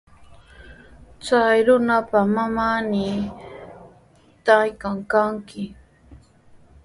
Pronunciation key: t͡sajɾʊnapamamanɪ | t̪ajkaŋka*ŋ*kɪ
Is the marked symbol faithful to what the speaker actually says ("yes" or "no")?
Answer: yes